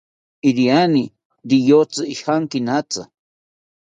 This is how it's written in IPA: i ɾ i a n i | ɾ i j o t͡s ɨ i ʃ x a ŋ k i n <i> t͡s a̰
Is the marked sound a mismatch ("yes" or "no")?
yes